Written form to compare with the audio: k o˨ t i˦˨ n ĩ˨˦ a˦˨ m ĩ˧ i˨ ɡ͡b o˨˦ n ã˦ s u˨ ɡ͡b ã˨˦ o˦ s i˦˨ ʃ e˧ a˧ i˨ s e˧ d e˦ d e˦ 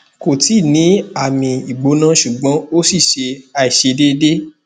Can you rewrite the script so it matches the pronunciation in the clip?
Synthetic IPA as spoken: k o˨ t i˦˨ n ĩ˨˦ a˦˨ m ĩ˧ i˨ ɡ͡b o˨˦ n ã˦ ʃ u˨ ɡ͡b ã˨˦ o˦ s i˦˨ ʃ e˧ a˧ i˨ ʃ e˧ d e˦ d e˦